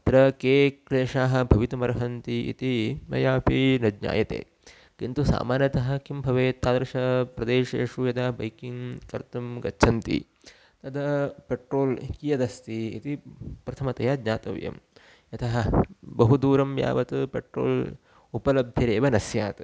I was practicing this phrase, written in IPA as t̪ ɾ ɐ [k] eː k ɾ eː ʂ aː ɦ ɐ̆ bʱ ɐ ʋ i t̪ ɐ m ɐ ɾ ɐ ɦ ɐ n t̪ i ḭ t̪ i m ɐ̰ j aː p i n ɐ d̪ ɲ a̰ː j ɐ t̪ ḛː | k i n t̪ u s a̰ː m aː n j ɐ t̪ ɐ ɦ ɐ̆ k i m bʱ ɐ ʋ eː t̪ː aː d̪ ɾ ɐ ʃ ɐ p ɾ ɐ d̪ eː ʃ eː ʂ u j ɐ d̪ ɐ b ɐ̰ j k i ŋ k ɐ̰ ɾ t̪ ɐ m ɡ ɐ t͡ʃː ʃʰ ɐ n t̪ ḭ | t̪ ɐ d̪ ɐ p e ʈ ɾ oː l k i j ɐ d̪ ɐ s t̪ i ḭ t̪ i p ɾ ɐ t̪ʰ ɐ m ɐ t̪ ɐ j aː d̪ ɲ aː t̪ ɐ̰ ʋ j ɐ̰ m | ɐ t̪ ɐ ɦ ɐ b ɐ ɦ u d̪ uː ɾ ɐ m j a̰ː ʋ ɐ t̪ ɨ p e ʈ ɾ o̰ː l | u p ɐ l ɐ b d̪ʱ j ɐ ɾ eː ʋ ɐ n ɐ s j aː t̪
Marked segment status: correct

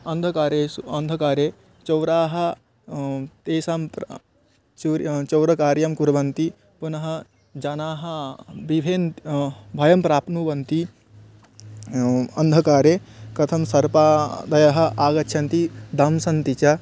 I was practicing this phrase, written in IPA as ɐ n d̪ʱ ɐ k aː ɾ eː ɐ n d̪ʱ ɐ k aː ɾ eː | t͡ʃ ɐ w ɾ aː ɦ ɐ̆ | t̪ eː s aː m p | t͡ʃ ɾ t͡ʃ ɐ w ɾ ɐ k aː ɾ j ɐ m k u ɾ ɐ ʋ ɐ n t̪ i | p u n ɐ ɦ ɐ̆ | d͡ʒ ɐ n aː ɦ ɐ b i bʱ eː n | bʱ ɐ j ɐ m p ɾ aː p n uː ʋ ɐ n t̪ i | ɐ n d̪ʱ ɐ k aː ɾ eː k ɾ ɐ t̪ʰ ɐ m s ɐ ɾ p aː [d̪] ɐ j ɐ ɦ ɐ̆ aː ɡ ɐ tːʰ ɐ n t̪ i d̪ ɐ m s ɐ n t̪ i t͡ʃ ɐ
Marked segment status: correct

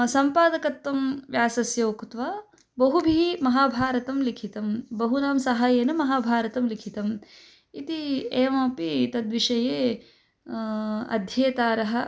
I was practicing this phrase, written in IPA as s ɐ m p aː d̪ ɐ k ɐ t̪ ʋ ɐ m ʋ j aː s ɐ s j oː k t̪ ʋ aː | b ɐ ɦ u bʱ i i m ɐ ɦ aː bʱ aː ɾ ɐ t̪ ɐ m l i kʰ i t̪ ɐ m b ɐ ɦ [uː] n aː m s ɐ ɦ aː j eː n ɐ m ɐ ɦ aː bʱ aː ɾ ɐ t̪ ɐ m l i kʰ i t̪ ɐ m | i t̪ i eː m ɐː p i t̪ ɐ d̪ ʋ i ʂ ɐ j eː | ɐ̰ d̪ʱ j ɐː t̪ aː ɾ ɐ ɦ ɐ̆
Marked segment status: incorrect: u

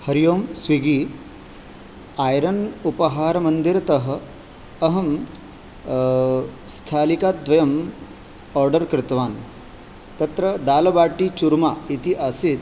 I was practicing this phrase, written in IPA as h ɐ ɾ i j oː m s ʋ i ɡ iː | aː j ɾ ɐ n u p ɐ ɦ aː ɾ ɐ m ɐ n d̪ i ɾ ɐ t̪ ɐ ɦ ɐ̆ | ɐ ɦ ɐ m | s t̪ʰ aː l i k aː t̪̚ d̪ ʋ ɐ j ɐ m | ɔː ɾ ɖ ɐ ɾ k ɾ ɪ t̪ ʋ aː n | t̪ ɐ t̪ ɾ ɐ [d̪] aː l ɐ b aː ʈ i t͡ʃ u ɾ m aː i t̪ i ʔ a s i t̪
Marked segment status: correct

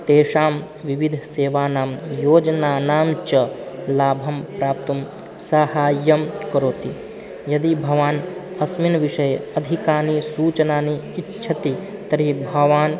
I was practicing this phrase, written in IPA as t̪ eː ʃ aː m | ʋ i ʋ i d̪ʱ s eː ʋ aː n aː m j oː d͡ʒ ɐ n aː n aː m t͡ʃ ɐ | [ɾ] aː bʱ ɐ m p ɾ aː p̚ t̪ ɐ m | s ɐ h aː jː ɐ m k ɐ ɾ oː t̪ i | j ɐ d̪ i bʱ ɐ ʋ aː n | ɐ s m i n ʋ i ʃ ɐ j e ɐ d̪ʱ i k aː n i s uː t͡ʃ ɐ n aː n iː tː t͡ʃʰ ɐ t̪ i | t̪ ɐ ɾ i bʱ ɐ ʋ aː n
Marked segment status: incorrect: l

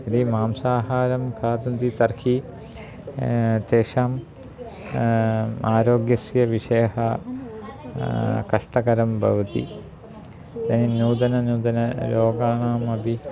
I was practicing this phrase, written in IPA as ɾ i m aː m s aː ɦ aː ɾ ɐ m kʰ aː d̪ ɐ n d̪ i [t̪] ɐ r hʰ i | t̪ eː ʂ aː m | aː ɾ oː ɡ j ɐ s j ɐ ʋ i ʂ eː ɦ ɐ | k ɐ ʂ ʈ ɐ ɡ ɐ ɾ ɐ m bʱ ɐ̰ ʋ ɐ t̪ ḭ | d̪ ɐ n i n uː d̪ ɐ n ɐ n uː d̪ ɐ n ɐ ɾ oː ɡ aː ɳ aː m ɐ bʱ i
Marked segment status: correct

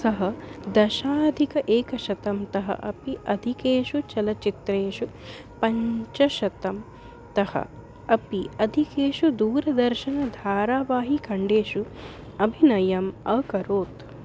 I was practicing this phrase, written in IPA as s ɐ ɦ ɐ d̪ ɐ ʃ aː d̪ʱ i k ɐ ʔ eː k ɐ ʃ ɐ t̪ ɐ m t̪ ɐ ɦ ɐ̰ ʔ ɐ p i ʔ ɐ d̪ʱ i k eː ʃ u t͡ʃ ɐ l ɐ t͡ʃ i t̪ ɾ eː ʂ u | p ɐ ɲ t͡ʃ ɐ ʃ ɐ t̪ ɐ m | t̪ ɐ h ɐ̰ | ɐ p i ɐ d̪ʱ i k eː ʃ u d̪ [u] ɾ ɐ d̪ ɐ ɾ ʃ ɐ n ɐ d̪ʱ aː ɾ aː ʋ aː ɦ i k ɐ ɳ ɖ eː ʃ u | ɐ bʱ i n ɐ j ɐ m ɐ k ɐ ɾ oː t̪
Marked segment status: incorrect: uː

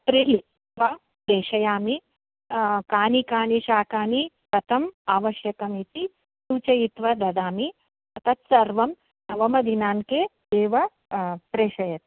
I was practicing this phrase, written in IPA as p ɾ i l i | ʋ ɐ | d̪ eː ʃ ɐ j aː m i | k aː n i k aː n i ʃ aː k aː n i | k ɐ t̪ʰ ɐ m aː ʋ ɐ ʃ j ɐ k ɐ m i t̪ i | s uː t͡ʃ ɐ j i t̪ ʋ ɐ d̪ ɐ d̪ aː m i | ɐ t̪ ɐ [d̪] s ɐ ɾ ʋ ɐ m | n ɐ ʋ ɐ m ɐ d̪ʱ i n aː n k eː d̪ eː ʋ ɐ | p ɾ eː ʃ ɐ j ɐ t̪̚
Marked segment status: incorrect: t̪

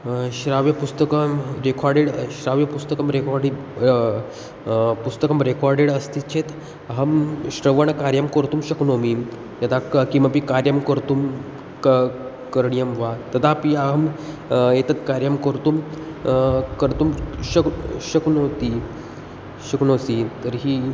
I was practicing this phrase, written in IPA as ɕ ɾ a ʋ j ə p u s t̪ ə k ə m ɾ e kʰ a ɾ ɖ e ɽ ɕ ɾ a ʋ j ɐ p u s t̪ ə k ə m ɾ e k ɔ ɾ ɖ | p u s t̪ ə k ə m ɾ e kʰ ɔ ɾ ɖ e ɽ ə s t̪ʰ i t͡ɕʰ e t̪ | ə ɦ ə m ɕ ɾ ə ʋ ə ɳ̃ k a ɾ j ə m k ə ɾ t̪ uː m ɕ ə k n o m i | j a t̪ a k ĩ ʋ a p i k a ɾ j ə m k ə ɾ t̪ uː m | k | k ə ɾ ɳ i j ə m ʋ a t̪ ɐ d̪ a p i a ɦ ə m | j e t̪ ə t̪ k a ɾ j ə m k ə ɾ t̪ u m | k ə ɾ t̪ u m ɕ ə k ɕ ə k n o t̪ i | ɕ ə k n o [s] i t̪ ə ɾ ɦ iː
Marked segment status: correct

